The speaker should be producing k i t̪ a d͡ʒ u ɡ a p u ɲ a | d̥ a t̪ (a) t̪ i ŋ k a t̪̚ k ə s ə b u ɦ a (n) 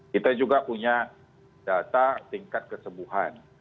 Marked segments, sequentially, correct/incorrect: correct, correct

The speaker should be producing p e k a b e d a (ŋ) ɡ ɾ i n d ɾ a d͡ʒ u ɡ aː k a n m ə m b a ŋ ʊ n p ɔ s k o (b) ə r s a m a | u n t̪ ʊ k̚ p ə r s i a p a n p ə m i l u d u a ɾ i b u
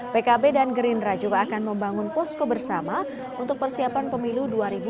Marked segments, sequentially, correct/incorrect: incorrect: n, correct

